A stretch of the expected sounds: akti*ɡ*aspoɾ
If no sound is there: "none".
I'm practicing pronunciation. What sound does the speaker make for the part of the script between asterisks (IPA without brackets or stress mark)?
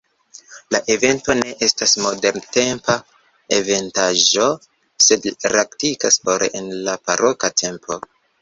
k